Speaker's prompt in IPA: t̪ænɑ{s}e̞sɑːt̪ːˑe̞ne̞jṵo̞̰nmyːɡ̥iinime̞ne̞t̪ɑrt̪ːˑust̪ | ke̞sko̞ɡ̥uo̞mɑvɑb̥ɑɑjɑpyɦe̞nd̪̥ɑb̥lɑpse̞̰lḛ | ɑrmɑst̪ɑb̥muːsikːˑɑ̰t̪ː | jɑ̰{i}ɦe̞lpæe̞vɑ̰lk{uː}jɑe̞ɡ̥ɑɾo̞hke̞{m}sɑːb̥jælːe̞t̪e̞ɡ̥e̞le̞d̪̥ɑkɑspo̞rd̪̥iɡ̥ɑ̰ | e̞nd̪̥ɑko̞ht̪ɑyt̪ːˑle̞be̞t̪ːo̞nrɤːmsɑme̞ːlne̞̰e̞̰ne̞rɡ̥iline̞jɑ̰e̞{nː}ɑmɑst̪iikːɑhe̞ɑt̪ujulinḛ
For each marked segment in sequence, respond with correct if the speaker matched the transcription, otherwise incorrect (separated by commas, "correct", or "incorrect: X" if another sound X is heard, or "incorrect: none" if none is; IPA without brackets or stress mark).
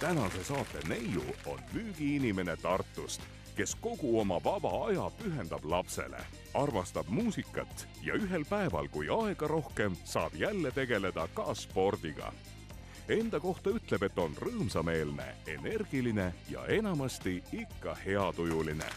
correct, incorrect: y, incorrect: u, correct, incorrect: n